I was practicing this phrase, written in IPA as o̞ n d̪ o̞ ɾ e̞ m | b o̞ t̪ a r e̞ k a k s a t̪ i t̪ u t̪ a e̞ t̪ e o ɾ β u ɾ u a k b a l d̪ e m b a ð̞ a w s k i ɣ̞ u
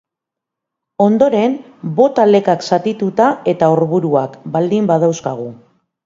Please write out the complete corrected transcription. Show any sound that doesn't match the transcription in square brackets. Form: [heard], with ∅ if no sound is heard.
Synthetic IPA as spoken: o̞ n d̪ o̞ ɾ e̞ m | b o̞ t̪ a [l] e̞ k a k s a t̪ i t̪ u t̪ a e̞ t̪ [a] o ɾ β u ɾ u a k b a l d̪ [i] m b a ð̞ a w s k [a] ɣ̞ u